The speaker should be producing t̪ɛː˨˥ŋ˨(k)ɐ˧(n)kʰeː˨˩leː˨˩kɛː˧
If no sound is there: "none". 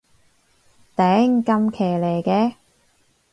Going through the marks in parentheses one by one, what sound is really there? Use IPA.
k, m

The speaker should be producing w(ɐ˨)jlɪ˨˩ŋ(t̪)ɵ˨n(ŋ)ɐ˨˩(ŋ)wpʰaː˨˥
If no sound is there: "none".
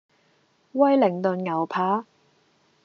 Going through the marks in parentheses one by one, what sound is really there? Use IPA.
ɐ˥, t̪, ŋ, none

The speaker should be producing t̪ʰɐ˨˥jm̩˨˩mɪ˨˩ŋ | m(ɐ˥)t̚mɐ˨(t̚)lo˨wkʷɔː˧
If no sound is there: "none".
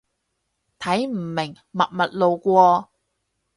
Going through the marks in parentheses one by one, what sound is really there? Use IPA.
ɐ˨, t̚

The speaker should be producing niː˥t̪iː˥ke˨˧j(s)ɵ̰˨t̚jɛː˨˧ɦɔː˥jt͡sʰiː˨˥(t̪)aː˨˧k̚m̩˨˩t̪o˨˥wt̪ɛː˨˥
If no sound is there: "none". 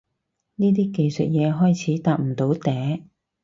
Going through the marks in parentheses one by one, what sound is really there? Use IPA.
s, t̪

